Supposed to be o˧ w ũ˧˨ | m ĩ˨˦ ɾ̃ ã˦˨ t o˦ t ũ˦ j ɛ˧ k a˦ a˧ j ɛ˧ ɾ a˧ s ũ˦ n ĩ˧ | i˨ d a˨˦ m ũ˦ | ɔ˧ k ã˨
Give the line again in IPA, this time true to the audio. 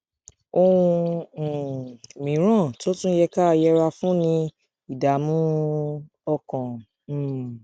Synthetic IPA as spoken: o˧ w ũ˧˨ | m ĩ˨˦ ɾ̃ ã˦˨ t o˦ t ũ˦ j ɛ˧ k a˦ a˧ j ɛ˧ ɾ a˧ f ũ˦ n ĩ˧ | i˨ d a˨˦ m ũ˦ | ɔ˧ k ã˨